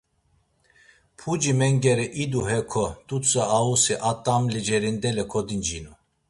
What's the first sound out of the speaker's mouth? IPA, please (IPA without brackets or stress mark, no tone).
pʰ